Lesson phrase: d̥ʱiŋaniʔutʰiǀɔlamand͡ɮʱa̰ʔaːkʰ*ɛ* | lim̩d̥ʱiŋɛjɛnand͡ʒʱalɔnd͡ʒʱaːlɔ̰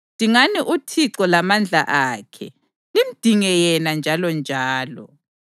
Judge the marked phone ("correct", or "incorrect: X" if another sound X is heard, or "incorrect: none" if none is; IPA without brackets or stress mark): correct